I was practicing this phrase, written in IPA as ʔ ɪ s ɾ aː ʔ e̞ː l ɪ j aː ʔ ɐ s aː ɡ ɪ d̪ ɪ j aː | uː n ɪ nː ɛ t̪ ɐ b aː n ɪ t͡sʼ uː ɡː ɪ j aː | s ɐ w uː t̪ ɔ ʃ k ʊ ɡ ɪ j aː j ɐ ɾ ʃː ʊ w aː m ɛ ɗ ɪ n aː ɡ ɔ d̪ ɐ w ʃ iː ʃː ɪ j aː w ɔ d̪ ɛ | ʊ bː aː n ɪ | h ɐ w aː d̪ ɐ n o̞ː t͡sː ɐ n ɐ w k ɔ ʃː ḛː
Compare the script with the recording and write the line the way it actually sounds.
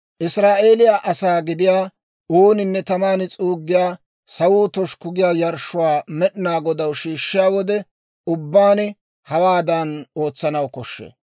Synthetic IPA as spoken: ʔ ɪ s ɾ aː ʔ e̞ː l ɪ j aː ʔ ɐ s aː ɡ ɪ d̪ ɪ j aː | uː n ɪ nː ɛ t̪ ɐ m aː n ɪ t͡sʼ uː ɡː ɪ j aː | s ɐ w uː t̪ ɔ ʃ k ʊ ɡ ɪ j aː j ɐ ɾ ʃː ʊ w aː m ɛ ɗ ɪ n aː ɡ ɔ d̪ ɐ w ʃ iː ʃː ɪ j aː w ɔ d̪ ɛ | ʊ bː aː n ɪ | h ɐ w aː d̪ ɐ n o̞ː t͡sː ɐ n ɐ w k ɔ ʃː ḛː